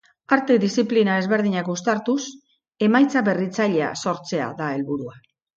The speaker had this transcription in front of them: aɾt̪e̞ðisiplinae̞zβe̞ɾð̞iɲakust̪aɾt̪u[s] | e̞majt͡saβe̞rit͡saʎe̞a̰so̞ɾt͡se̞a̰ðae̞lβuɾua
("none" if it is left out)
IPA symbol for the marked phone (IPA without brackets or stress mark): s